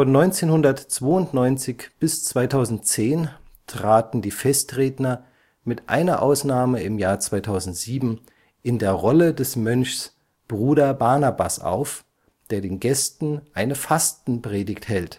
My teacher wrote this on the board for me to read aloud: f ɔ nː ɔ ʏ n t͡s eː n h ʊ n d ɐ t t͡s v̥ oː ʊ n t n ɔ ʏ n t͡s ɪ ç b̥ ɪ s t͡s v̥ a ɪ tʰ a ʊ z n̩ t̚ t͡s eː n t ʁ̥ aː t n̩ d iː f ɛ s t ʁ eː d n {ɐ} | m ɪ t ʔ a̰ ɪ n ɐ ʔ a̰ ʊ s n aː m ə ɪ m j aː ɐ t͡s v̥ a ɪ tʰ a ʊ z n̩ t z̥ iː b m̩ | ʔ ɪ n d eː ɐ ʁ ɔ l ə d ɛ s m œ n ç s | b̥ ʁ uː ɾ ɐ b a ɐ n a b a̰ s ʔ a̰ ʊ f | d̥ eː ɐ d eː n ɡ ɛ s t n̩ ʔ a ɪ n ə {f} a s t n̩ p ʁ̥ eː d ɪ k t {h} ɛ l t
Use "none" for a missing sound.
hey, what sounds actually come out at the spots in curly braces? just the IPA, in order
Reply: ɐ, f, h

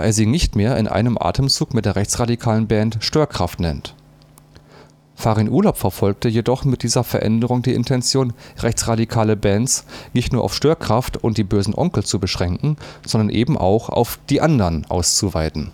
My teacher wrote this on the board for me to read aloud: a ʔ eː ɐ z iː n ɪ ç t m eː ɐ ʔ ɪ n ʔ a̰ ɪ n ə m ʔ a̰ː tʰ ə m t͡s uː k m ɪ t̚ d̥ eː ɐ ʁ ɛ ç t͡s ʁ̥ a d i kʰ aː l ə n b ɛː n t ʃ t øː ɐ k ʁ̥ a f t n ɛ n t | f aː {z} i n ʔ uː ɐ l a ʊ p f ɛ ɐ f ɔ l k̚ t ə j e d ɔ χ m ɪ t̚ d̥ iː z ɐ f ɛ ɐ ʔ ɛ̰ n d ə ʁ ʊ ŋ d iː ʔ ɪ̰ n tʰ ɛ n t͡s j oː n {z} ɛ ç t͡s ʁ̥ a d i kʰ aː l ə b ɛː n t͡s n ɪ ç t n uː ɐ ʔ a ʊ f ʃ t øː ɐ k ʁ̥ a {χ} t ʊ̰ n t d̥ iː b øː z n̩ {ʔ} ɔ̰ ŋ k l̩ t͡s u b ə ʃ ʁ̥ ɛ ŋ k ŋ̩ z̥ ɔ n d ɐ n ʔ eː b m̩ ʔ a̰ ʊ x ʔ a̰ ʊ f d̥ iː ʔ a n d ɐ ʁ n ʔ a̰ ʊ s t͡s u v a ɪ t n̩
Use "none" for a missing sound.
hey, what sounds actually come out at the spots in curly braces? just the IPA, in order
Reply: ʁ, ʁ, f, ʔ

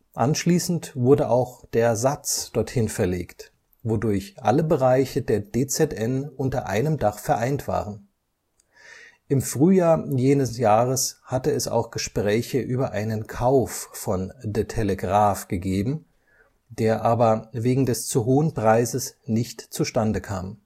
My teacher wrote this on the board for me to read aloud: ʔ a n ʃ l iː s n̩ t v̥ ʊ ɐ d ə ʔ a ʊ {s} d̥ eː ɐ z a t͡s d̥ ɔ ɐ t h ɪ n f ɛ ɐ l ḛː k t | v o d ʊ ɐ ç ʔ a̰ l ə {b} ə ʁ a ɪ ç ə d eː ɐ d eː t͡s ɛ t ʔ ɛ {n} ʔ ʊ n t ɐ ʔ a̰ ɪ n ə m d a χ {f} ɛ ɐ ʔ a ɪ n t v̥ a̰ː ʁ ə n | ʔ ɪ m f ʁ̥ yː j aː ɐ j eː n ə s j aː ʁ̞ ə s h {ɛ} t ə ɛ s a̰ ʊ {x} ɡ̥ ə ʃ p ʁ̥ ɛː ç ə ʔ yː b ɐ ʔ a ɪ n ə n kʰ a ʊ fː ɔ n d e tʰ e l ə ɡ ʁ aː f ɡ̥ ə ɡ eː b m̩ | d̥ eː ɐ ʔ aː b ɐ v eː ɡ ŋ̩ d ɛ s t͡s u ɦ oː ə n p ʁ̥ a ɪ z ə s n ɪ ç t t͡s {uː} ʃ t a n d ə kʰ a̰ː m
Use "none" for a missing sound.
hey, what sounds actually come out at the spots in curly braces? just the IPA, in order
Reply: x, b, n, f, a, x, u

